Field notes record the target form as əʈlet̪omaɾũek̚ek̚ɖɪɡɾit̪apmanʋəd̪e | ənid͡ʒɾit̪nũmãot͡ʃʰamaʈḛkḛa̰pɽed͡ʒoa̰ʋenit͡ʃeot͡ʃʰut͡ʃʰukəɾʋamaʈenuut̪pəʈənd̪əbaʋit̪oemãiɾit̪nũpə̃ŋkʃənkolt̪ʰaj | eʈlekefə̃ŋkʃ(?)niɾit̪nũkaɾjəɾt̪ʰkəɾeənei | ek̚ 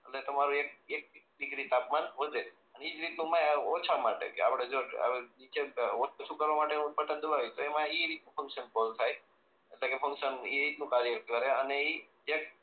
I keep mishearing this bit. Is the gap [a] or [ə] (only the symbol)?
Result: ə